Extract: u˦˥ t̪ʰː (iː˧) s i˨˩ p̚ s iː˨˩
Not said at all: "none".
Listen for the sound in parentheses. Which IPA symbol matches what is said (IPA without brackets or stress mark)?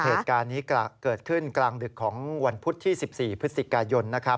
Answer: iː˥˩